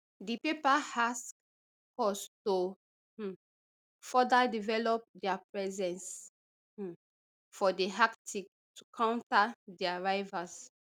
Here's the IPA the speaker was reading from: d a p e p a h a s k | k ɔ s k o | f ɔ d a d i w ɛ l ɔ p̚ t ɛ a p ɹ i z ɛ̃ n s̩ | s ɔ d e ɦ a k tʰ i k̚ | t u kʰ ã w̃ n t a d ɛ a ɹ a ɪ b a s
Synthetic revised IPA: d i p e p a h a s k | k ɔ s t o | f ɔ d a d i v ɛ l ɔ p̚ d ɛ a p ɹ ɛ z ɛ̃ n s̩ | f ɔ d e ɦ a k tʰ i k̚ | t u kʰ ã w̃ n t a d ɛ a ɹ a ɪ v a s